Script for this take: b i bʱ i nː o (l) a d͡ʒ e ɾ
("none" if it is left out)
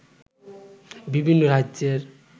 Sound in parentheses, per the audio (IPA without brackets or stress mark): ɾ